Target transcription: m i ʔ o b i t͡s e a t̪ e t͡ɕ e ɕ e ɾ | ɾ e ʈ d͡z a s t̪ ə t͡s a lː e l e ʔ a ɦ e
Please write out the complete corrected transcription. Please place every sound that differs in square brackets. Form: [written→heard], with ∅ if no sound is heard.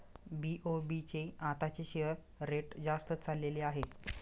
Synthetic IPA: [m→b] i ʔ o b i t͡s e a t̪ [e→a] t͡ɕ e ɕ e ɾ | ɾ e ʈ d͡z a s t̪ ə t͡s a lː e l e [ʔ→∅] a ɦ e